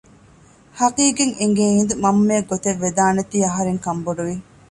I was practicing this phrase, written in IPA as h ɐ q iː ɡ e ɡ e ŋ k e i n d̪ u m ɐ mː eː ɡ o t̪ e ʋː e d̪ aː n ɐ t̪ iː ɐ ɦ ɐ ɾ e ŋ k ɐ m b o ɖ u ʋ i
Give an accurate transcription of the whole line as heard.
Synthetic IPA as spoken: h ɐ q iː ɡ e ŋ e ŋ ɡ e i n d̪ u m ɐ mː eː ɡ o t̪ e ʋː e d̪ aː n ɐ t̪ iː ɐ ɦ ɐ ɾ e ŋ k ɐ m b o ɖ u ʋ i